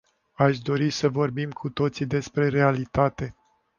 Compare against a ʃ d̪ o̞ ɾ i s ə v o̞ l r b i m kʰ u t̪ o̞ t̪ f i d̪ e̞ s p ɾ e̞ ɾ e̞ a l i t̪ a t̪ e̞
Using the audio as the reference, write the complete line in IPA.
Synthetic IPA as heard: a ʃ d̪ o̞ ɾ i s ə v o̞ r b i m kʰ u t̪ o̞ t̪ s i d̪ e̞ s p ɾ e̞ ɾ e̞ a l i t̪ a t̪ e̞